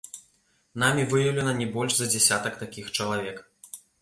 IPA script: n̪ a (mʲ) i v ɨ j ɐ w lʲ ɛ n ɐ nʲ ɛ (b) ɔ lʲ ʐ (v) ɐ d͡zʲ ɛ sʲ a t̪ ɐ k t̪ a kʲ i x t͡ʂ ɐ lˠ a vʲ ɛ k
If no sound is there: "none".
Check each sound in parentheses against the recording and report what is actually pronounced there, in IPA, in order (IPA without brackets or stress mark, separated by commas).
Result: mʲ, b, z